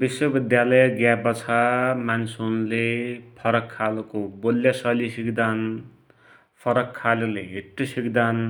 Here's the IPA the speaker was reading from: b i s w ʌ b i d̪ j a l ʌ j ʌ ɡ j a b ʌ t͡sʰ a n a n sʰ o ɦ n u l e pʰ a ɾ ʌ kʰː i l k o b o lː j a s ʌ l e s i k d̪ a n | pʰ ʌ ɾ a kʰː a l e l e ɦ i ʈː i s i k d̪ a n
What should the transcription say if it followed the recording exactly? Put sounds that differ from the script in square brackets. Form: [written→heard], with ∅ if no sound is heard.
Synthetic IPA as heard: b i s w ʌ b i d̪ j a l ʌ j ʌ ɡ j a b ʌ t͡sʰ a [n→m] a n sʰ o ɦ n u l e pʰ [a→ʌ] ɾ ʌ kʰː [i→a] l k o b o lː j a s ʌ l [e→i] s i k d̪ a n | pʰ ʌ ɾ [a→ʌ] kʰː a l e l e ɦ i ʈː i s i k d̪ a n

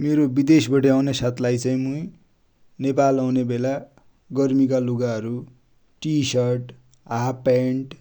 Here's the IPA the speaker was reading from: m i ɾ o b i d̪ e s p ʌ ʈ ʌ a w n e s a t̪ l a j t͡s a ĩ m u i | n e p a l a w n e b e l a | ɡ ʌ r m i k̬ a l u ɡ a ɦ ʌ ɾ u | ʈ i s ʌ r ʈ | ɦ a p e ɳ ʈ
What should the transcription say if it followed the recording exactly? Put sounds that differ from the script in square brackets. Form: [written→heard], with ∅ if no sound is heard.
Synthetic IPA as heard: m [i→e] ɾ o b i d̪ e s [p→b] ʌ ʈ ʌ a w n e s a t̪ l a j t͡s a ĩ m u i | n e p a l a w n e b e l a | ɡ ʌ r m i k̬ a l u ɡ a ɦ ʌ ɾ u | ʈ i s ʌ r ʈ | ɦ a p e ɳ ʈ

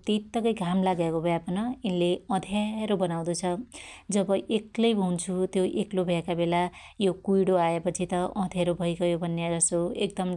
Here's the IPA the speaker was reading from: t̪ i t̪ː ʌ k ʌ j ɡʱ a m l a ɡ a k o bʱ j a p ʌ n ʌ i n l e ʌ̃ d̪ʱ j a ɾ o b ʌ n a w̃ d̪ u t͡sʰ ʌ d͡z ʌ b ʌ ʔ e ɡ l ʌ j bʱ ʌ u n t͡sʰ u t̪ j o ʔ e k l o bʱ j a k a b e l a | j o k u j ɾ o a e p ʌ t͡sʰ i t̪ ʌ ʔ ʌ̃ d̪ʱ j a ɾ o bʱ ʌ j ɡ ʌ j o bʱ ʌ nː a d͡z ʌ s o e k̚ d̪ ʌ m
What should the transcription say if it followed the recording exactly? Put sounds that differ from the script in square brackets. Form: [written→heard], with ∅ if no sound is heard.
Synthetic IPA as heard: t̪ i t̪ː ʌ k ʌ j ɡʱ a m l a ɡ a k o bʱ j a p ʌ n ʌ i n l e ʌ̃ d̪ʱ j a ɾ o b ʌ n a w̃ d̪ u t͡sʰ ʌ d͡z ʌ b ʌ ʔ e [ɡ→k] l ʌ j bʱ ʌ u n t͡sʰ u t̪ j o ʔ e k l o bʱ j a k a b e l a | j o k u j [ɾ→ɽ] o a e p ʌ t͡sʰ i t̪ ʌ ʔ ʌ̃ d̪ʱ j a ɾ o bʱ ʌ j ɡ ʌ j o bʱ ʌ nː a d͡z ʌ s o e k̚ d̪ ʌ m

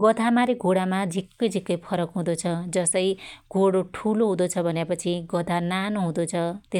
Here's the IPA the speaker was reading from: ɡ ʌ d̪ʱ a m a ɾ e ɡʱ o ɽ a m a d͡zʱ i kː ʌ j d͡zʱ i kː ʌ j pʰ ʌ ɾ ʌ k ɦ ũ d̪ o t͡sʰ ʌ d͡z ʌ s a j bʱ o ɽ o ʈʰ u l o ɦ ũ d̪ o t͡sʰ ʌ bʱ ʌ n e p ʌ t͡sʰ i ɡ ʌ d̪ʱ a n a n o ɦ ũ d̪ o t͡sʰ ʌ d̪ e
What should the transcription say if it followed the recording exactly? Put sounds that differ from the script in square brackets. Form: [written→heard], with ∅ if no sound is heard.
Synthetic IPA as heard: ɡ ʌ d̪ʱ a m a ɾ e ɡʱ o ɽ a m a d͡zʱ i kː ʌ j d͡zʱ i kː ʌ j pʰ ʌ ɾ ʌ k ɦ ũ d̪ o t͡sʰ ʌ d͡z ʌ s [a→ʌ] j [bʱ→ɡʱ] o ɽ o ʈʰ u l o ɦ ũ d̪ o t͡sʰ ʌ bʱ ʌ n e p ʌ t͡sʰ i ɡ ʌ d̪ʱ a n a n o ɦ ũ d̪ o t͡sʰ ʌ [d̪→t̪] e

